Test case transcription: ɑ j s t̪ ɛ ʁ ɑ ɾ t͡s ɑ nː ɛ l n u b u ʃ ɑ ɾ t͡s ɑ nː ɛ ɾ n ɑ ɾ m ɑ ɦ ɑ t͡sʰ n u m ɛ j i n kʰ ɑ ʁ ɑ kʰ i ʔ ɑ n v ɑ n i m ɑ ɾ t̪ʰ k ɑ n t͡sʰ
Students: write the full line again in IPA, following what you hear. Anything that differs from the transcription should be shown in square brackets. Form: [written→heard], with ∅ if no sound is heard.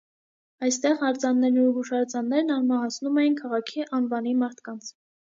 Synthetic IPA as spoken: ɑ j s t̪ ɛ ʁ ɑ ɾ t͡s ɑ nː ɛ [l→ɾ] n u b u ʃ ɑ ɾ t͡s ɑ nː ɛ ɾ n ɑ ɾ m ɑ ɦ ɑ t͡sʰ n u m ɛ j i n kʰ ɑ ʁ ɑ kʰ i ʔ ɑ n v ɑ n i m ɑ ɾ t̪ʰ k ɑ n t͡sʰ